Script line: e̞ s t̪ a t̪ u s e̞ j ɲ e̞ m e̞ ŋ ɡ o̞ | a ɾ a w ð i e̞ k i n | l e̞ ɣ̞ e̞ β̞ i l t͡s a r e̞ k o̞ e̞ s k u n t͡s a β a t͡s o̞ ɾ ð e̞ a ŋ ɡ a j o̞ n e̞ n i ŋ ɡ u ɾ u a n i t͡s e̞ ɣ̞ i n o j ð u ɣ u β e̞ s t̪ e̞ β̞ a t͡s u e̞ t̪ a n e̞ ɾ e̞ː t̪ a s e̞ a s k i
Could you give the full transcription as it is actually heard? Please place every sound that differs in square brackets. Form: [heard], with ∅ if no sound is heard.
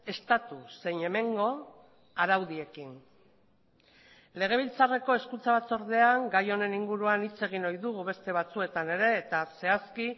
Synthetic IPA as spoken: e̞ s t̪ a t̪ u s e̞ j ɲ e̞ m e̞ ŋ ɡ o̞ | a ɾ a w ð i e̞ k i n | l e̞ ɣ̞ e̞ β̞ i l t͡s a r e̞ k o̞ e̞ s k u n t͡s a β a t͡s o̞ ɾ ð e̞ a ŋ ɡ a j o̞ n e̞ n i ŋ ɡ u ɾ u a n i t͡s e̞ ɣ̞ i n o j ð u ɣ u β e̞ s t̪ e̞ β̞ a t͡s u e̞ t̪ a n e̞ ɾ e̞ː t̪ a s e̞ a s k i